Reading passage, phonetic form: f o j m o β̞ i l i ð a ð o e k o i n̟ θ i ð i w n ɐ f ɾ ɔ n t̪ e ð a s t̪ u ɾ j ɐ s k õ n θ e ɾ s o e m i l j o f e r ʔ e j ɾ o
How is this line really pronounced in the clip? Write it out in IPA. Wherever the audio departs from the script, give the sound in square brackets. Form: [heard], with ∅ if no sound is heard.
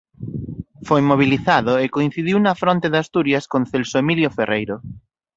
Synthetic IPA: f o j m o β̞ i l i [θ] a ð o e k o i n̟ θ i ð i w n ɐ f ɾ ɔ n t̪ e ð a s t̪ u ɾ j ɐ s k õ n θ e [l] s o e m i l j o f e r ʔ e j ɾ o